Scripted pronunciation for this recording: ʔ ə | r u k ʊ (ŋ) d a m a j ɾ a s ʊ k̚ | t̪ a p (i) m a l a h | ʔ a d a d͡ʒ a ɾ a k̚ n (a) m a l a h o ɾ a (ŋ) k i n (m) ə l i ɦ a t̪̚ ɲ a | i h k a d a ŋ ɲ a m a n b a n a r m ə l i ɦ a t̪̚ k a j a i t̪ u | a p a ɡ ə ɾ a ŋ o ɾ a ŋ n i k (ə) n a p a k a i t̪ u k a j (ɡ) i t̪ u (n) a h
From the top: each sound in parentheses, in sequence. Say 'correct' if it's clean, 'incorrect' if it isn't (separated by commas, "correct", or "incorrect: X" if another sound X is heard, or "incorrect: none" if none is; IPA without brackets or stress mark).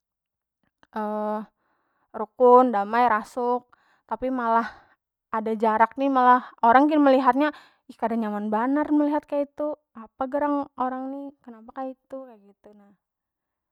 incorrect: n, correct, incorrect: i, correct, correct, correct, correct, correct